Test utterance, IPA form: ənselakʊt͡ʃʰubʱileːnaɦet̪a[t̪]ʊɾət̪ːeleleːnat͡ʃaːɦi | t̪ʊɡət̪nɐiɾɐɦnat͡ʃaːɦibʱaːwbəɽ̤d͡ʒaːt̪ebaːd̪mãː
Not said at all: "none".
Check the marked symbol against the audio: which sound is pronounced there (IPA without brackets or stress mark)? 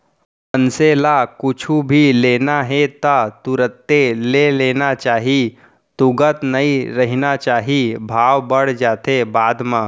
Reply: t̪